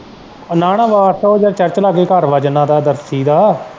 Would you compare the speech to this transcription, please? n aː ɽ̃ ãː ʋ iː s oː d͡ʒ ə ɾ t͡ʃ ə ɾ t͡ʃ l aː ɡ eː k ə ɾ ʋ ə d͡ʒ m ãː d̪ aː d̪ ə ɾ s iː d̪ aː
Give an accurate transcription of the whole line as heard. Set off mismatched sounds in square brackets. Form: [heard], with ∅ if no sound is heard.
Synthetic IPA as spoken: n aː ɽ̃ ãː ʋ [aː] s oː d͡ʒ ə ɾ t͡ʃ ə ɾ t͡ʃ l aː ɡ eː k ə ɾ ʋ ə d͡ʒ [n] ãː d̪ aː d̪ ə ɾ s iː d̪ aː